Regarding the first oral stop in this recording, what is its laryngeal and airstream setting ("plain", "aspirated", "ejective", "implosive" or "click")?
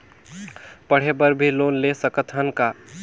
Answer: plain